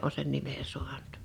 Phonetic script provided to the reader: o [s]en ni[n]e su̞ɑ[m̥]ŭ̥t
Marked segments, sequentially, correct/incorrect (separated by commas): correct, incorrect, incorrect